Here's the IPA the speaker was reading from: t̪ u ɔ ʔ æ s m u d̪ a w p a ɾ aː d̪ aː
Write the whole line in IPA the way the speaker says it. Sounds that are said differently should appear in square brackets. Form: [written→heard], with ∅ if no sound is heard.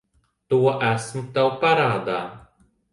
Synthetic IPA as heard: t̪ u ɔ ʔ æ s m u [d̪→t̪] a w p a ɾ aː d̪ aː

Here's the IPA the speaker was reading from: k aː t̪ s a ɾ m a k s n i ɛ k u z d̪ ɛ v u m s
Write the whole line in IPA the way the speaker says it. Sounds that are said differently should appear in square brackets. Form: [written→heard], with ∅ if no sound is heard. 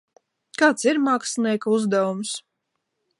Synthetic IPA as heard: k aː t̪ s [a→i] ɾ m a k s n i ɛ k u z d̪ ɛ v u m s

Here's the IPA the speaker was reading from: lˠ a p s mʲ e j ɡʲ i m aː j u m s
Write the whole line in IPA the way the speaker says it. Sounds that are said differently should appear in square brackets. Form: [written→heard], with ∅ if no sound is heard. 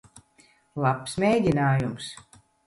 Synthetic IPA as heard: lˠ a p s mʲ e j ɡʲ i [m→n] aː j u m s

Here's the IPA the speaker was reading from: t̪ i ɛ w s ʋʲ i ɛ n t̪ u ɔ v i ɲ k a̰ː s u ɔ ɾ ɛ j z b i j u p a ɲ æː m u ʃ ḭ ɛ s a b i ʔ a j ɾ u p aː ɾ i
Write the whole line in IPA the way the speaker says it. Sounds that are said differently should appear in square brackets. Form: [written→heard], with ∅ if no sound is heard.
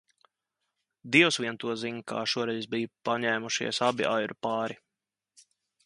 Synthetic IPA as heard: [t̪→d̪] i ɛ w s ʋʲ i ɛ n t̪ u ɔ [v→z] i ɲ k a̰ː [s→ʃ] u ɔ ɾ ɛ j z b i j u p a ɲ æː m u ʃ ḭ ɛ s a b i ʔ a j ɾ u p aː ɾ i

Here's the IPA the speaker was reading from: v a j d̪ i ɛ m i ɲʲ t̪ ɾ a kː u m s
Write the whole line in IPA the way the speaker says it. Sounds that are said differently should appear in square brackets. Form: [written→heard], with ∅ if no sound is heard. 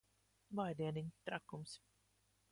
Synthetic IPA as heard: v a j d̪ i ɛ [m→n] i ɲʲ t̪ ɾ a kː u m s

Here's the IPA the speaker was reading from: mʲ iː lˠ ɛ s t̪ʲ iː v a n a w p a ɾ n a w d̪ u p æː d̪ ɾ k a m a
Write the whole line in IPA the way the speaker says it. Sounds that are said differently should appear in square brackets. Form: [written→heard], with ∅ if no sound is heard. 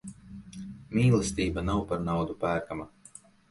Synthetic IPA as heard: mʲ iː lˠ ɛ s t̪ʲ iː [v→b] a n a w p a ɾ n a w d̪ u p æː [d̪→∅] ɾ k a m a

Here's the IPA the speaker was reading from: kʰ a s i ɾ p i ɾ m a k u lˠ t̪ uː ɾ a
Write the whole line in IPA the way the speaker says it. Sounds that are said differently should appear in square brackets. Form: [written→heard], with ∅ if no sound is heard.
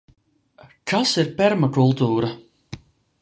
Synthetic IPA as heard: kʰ a s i ɾ p [i→ɛ] ɾ m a k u lˠ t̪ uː ɾ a

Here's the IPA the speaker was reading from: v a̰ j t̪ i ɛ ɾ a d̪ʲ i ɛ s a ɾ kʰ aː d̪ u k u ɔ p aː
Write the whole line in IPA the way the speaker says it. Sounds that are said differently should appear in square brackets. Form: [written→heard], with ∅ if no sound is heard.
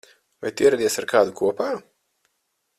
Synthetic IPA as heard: v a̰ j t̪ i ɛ ɾ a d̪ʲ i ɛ s a ɾ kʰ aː d̪ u k u ɔ p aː

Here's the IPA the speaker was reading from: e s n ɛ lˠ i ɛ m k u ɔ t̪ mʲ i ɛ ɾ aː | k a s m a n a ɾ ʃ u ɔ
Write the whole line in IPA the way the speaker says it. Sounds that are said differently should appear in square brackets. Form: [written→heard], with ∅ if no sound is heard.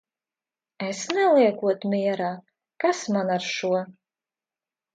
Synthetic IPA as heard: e s n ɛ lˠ i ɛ [m→∅] k u ɔ t̪ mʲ i ɛ ɾ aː | k a s m a n a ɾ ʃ u ɔ

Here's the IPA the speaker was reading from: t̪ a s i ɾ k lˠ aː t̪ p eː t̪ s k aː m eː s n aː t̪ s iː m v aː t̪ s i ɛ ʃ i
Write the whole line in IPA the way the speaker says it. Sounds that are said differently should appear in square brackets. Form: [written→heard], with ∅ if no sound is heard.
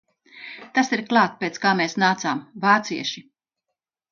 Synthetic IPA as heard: t̪ a s i ɾ k lˠ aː t̪ p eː t̪ s k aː m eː s n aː t̪ s [iː→aː] m v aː t̪ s i ɛ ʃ i

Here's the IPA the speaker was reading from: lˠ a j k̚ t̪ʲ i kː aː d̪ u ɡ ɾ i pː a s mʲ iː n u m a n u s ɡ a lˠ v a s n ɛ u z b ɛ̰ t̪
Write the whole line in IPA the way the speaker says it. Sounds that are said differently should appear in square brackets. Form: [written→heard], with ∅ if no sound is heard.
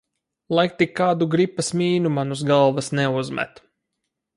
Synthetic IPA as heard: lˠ a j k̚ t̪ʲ i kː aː d̪ u ɡ ɾ i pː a s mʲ iː n u m a n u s ɡ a lˠ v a s n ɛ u z [b→m] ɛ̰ t̪

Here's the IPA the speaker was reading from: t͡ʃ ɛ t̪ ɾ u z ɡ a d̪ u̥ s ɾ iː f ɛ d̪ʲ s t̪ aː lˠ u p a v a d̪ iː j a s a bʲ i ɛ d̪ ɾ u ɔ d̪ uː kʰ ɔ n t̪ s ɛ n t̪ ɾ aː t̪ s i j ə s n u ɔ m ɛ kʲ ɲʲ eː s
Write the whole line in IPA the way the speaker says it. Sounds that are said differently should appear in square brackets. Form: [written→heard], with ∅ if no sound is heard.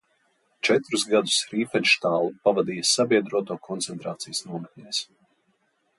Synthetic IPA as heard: t͡ʃ ɛ t̪ ɾ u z ɡ a d̪ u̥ s ɾ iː f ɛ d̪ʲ [s→ʃ] t̪ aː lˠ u p a v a d̪ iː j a s a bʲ i ɛ d̪ ɾ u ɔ [d̪→t̪] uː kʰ ɔ n t̪ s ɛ n t̪ ɾ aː t̪ s i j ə s n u ɔ m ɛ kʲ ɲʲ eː s

